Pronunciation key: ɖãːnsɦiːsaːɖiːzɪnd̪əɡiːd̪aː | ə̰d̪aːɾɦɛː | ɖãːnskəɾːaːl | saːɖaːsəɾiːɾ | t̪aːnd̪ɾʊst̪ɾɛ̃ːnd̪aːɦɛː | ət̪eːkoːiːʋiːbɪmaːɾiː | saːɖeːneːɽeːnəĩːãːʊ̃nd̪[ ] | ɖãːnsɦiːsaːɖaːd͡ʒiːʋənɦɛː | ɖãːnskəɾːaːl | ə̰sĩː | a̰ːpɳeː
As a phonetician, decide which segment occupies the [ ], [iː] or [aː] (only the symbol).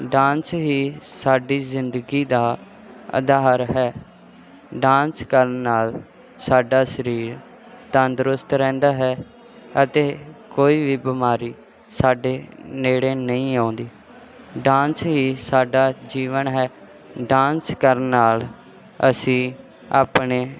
iː